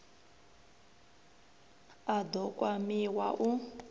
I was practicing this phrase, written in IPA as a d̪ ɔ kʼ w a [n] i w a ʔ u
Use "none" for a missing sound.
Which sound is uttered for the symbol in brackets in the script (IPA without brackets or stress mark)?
m